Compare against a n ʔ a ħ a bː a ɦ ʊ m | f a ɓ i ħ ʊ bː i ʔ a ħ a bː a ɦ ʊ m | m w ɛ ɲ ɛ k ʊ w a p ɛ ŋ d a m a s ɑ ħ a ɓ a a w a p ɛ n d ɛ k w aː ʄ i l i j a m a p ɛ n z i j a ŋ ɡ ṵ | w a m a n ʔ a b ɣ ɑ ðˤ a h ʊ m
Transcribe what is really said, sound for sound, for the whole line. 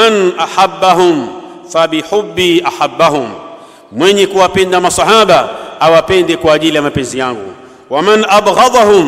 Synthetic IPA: a n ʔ a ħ a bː a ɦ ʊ m | f a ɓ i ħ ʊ bː i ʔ a ħ a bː a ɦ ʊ m | m w ɛ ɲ ɛ k u w a p ɛ n d a m a s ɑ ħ a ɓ a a w a p ɛ n d ɛ k w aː ʄ i l i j a m a p ɛ n z i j a ŋ ɡ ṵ | w a m a n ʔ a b ɣ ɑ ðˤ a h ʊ m